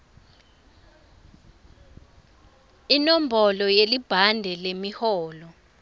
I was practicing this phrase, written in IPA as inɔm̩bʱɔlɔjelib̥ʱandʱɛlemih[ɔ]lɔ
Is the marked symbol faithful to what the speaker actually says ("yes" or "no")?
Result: no